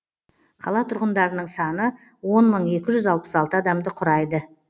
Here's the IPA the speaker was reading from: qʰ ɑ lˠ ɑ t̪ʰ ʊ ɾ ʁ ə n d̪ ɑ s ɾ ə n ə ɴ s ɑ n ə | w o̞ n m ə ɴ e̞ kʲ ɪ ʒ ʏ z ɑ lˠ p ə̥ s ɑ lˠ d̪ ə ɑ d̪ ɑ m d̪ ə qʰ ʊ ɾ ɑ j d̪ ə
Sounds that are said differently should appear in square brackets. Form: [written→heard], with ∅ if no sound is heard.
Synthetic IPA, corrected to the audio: qʰ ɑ lˠ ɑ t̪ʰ ʊ ɾ ʁ ə n d̪ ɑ [s→∅] ɾ ə n ə ɴ s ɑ n ə | w o̞ n m ə ɴ e̞ kʲ ɪ ʒ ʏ z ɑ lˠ p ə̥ s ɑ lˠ [d̪→t̪] ə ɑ d̪ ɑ m d̪ ə qʰ ʊ ɾ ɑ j d̪ ə

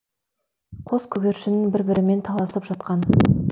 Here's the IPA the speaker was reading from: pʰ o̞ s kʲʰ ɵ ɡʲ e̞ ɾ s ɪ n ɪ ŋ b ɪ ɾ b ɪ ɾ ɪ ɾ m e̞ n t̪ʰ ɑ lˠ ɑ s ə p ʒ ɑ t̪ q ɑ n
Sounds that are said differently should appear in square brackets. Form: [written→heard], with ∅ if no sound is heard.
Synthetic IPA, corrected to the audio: [pʰ→qʰ] o̞ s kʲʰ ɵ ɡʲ e̞ ɾ [s→ʃ] ɪ n ɪ ŋ b ɪ ɾ b ɪ ɾ ɪ [ɾ→∅] m e̞ n t̪ʰ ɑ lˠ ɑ s ə p ʒ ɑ t̪ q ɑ n

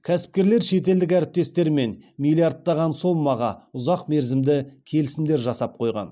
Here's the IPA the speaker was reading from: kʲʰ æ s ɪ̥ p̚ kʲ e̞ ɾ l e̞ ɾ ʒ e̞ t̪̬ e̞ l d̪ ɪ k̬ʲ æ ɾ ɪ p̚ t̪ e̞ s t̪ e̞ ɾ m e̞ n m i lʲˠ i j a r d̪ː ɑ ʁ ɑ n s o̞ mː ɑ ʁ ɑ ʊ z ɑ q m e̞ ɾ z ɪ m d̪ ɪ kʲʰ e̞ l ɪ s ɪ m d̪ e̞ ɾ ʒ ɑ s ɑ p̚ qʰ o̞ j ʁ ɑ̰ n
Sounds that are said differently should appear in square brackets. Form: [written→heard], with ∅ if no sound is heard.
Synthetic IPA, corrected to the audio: kʲʰ æ s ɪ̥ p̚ kʲ e̞ ɾ l e̞ ɾ [ʒ→ʃ] e̞ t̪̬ e̞ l d̪ ɪ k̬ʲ æ ɾ ɪ p̚ t̪ e̞ s t̪ e̞ ɾ m e̞ n m i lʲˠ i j a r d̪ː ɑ ʁ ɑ n s o̞ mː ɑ ʁ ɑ ʊ z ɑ q m e̞ ɾ z ɪ m d̪ ɪ kʲʰ e̞ l ɪ s ɪ m d̪ e̞ ɾ ʒ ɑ s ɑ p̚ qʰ o̞ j ʁ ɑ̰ n

